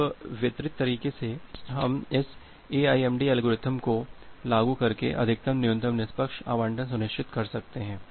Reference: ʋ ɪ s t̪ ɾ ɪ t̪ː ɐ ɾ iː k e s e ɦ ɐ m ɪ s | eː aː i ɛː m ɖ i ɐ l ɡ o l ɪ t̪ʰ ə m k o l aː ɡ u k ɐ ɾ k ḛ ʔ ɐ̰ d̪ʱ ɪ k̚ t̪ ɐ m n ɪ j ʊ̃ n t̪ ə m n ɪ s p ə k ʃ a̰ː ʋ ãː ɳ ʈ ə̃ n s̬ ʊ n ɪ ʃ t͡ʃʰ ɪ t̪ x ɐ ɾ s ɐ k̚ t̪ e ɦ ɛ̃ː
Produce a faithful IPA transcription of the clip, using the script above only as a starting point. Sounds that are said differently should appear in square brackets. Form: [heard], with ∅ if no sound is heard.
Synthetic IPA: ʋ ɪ [∅] t̪ ɾ ɪ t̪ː ɐ ɾ iː k e s e ɦ ɐ m ɪ s | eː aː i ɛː m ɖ i ɐ l ɡ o [ɾ] ɪ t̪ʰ ə m k o l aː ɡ u k ɐ ɾ k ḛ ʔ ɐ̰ d̪ʱ ɪ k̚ t̪ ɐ m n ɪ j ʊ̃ n t̪ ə m n ɪ s p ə k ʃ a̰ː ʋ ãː ɳ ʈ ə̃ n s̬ ʊ n ɪ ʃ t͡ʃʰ ɪ t̪ [k] ɐ ɾ s ɐ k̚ t̪ e ɦ ɛ̃ː